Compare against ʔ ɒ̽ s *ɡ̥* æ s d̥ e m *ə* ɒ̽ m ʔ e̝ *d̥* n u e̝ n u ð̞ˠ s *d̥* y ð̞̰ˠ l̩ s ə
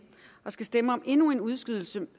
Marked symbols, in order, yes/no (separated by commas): yes, yes, no, no